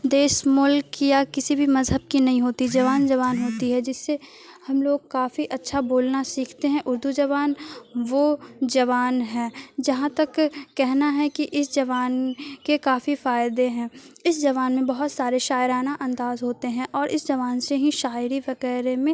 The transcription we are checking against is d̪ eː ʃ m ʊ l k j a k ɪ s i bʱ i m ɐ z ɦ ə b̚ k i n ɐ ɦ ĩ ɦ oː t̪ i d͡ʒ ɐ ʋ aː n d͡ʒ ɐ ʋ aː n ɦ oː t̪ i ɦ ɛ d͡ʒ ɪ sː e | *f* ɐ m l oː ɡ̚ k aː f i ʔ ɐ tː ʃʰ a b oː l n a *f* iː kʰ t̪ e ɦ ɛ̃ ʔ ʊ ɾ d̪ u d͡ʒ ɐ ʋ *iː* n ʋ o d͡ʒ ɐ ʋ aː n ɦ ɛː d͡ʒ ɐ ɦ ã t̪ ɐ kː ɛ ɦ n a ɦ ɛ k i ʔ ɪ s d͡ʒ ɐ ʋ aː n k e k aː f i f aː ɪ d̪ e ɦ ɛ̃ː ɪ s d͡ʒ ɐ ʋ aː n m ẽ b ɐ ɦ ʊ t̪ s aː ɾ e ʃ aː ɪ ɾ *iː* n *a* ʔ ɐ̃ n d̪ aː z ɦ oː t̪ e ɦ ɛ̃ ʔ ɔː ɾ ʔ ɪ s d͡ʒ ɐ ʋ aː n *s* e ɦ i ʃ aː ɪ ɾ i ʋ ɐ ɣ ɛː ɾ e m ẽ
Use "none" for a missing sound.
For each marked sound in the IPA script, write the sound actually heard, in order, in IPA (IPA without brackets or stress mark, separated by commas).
h, s, aː, aː, a, s